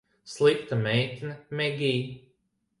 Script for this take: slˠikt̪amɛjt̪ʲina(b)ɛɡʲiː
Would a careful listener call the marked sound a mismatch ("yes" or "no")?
yes